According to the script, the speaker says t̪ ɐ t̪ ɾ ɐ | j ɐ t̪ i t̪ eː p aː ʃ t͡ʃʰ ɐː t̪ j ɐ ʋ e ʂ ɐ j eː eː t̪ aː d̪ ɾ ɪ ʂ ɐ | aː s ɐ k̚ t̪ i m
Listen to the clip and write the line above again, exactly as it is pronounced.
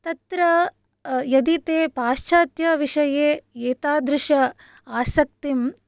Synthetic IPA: t̪ ɐ t̪ ɾ ɐ | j ɐ d̪ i t̪ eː p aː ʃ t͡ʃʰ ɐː t̪ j ɐ ʋ i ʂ ɐ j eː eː t̪ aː d̪ ɾ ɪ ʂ ɐ | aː s ɐ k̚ t̪ i m